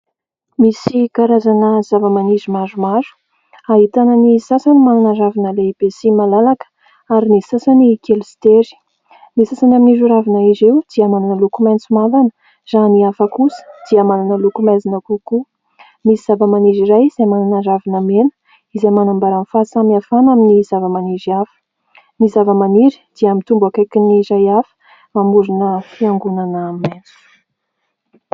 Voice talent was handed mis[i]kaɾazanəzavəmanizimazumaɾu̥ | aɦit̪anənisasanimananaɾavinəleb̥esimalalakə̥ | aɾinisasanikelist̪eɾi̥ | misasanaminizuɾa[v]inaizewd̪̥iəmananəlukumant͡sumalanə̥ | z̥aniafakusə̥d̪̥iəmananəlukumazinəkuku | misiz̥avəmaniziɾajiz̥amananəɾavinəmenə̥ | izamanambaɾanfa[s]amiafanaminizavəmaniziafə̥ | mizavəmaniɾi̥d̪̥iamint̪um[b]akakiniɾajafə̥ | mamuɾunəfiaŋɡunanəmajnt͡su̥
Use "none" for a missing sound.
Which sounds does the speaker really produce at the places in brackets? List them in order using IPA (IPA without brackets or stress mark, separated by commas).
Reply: i, v, s, b